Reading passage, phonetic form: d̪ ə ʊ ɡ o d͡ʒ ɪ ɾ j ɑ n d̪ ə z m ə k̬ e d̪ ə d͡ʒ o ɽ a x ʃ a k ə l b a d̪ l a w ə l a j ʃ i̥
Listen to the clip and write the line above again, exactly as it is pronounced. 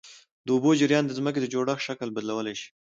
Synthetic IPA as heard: d̪ ə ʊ b o d͡ʒ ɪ ɾ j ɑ n d̪ ə z m ə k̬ e d̪ ə d͡ʒ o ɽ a x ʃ a k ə l b a d̪ l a w ə l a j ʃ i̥

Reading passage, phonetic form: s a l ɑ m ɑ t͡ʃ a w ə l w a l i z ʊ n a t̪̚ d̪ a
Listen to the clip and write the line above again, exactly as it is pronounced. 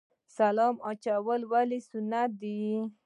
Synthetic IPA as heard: s a l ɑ m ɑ t͡ʃ a w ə l w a l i s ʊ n a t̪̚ d̪ i

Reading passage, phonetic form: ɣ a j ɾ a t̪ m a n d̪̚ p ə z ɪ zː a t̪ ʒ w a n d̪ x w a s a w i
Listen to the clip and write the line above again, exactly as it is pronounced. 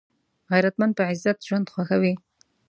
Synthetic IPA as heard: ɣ a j ɾ a t̪ m a n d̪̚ p ə ʕ ɪ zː a t̪ ʒ w a n d̪ x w a x a w i

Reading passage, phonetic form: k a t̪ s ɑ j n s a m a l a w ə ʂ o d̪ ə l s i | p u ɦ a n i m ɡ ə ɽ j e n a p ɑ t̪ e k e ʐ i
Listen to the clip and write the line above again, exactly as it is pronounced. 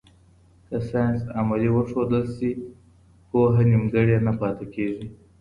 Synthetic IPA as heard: k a s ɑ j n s a m a l i w ə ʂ o d̪ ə l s i | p o ɦ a n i m ɡ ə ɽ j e n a p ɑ t̪ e k e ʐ i

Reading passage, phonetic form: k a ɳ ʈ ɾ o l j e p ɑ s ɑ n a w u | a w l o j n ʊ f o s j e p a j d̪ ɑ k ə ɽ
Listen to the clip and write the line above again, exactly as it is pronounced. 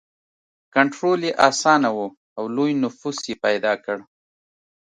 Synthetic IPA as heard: k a ɳ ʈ ɾ o l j e ʔ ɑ s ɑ n a w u | a w l o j n ʊ f u s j e p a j d̪ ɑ k ə ɽ

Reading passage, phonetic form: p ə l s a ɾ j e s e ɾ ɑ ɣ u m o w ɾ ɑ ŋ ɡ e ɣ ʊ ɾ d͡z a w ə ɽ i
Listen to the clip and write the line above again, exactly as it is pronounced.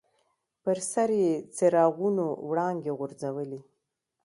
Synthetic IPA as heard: p ə ɾ s a ɾ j e t͡s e ɾ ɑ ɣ u n o w ɽ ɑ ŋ ɡ e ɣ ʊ ɾ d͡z a w ə l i

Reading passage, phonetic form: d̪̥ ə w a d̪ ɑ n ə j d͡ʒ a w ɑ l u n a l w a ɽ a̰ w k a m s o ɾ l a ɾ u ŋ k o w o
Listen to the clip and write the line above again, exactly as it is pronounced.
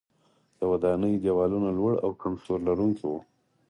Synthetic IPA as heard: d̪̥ ə w a d̪ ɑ n ə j d͡ʒ a w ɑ l u n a l w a ɽ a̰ w k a m s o ɾ l a ɾ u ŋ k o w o

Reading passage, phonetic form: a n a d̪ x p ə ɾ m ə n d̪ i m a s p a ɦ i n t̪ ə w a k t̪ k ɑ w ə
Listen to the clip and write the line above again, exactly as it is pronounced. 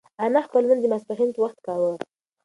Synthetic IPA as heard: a n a x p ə l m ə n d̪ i m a s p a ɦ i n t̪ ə w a x t̪ k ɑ w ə

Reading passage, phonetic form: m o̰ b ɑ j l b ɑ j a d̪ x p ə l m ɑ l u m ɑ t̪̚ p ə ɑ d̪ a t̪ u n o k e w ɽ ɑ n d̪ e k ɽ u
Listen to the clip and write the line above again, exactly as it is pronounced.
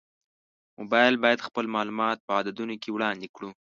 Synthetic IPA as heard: m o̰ b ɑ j l b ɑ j a d̪ x p ə l m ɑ l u m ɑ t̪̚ p ə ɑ d̪ a d̪ u n o k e w ɽ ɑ n d̪ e k ɽ u

